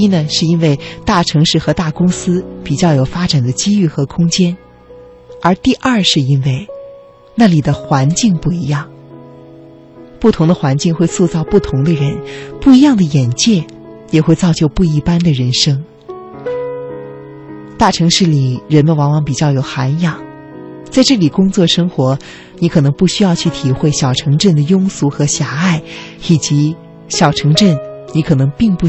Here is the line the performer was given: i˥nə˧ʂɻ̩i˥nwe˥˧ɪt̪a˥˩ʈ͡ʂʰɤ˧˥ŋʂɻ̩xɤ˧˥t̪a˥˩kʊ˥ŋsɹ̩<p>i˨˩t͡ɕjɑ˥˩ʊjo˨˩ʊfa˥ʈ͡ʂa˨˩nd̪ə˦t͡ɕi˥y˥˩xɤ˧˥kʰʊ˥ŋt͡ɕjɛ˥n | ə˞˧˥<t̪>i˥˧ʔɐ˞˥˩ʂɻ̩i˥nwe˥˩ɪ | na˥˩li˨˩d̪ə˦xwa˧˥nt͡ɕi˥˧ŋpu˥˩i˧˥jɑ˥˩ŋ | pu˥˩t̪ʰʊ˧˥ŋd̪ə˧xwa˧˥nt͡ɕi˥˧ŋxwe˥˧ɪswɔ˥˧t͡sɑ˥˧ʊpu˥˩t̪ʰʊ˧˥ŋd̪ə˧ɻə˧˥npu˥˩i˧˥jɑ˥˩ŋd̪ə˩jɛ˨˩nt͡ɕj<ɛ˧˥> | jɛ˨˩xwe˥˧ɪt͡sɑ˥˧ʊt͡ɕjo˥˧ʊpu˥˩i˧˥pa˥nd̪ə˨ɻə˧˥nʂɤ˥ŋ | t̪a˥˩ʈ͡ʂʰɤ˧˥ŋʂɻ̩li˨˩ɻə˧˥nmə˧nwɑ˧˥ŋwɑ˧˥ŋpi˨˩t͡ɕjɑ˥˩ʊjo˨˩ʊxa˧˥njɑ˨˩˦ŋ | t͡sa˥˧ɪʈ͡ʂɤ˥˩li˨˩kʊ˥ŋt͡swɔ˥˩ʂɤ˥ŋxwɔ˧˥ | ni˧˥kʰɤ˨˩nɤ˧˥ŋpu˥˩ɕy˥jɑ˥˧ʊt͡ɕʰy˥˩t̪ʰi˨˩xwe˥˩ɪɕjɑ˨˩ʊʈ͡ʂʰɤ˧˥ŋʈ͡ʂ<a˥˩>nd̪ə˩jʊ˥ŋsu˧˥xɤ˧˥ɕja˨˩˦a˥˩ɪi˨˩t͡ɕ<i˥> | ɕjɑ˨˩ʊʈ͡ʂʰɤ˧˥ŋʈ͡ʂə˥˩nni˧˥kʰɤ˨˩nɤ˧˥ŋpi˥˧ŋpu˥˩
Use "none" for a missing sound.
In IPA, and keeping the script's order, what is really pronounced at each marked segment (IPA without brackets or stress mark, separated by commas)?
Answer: p, t̪, ɛ˥˩, ə˥˩, i˧˥